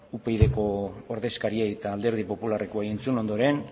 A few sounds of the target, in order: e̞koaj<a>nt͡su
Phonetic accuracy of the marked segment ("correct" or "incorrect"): incorrect